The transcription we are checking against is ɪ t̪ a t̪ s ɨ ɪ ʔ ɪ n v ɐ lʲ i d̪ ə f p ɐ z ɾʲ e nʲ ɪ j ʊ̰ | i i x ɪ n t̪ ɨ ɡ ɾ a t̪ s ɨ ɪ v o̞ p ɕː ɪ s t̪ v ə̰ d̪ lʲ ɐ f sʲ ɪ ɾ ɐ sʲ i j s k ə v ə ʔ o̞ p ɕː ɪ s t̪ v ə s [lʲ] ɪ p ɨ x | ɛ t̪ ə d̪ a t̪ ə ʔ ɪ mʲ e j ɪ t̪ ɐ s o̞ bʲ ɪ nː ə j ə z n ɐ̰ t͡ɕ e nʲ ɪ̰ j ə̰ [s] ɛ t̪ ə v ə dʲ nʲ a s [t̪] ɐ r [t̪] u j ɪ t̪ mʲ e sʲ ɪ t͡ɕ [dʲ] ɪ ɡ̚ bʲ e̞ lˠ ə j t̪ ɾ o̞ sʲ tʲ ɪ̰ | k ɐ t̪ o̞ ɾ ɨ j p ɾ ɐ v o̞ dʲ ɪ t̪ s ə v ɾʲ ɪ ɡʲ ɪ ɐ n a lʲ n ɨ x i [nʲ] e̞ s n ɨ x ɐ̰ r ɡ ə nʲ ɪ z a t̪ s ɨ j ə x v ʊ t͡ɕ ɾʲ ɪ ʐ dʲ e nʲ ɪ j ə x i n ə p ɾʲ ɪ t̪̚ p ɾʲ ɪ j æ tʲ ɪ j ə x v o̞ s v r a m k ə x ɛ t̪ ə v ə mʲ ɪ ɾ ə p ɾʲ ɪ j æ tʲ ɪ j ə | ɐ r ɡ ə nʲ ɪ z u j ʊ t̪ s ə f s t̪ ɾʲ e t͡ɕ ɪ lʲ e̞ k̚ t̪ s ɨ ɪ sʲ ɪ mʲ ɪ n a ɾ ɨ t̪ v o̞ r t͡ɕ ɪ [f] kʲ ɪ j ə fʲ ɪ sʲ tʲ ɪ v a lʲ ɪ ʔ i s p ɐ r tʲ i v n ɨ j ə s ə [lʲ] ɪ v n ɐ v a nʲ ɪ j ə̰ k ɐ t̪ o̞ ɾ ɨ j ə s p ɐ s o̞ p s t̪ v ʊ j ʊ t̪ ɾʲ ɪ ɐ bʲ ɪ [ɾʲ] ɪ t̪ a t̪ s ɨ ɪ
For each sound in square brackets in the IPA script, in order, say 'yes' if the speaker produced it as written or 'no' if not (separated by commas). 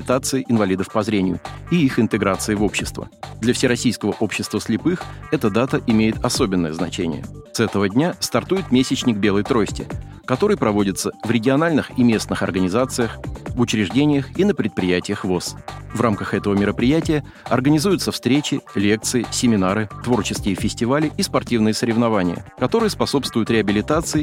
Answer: yes, yes, yes, yes, no, no, no, no, no